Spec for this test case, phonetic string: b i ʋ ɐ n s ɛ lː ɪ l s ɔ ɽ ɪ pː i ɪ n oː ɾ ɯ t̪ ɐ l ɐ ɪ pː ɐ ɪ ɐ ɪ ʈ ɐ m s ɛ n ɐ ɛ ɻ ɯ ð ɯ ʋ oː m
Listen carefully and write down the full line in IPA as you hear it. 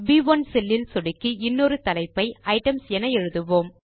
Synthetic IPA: b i ʋ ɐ n s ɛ lː ɪ l s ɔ ɽ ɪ kː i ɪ nː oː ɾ ɯ t̪ ɐ l ɐ ɪ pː ɐ ɪ ɐ ɪ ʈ ɐ m s ɛ n ɐ ɛ ɻ ɯ ð ɯ ʋ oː m